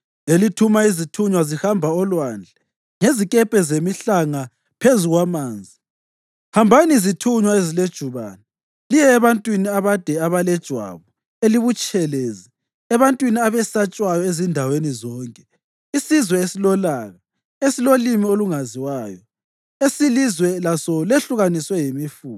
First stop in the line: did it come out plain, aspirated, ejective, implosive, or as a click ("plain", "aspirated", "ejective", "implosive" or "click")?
aspirated